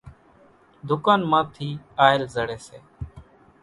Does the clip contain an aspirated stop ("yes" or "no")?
yes